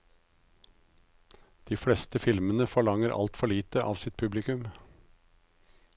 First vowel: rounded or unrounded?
unrounded